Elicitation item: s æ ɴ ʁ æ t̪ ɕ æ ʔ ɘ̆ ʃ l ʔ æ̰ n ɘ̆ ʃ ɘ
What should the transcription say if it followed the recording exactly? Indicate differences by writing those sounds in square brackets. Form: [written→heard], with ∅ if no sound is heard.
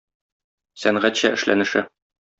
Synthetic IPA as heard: s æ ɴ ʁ æ t̪ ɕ æ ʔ ɘ̆ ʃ l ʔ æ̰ n ɘ̆ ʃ ɘ